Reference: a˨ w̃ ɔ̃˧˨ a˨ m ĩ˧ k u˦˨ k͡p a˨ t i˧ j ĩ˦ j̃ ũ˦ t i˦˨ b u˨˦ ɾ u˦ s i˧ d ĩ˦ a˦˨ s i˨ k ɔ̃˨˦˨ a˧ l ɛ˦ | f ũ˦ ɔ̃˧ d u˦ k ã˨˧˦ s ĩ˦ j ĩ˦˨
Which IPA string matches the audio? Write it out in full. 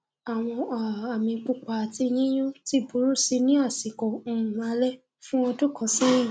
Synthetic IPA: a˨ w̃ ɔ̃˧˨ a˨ m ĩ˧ k͡p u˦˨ k͡p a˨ t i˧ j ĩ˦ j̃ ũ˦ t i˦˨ b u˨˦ ɾ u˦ s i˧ n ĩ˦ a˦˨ s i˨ k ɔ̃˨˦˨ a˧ l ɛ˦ | f ũ˦ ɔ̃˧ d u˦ k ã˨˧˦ s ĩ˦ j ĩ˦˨